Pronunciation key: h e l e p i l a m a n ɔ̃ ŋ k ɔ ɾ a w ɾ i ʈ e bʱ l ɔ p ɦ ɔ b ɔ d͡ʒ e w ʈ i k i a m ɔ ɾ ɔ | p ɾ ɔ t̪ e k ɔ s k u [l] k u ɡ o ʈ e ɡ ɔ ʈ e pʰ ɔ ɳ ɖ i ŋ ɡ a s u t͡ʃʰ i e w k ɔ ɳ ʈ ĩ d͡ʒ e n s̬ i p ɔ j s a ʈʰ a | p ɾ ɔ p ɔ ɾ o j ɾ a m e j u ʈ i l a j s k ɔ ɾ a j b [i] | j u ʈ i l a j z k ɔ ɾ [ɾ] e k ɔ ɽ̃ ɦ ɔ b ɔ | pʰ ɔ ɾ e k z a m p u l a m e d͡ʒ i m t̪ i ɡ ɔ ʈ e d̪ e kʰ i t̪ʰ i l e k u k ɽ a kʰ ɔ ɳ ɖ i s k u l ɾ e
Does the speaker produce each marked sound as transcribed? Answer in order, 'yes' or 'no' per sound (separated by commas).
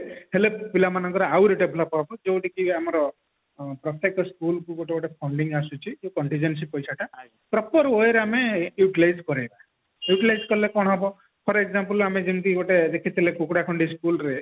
yes, no, no